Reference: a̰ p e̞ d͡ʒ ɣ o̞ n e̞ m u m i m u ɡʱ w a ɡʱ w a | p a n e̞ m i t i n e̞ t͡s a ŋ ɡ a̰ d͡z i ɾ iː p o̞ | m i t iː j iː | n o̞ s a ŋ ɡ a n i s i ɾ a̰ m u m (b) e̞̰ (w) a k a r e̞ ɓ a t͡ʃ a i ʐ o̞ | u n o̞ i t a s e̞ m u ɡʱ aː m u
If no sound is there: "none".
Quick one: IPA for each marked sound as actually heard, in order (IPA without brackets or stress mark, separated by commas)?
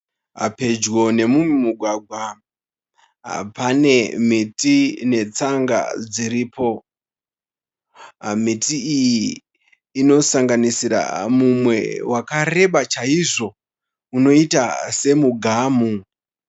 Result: w, w